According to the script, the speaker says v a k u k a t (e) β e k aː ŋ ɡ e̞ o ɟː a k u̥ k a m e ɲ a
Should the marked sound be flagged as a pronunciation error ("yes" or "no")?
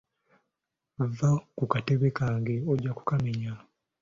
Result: no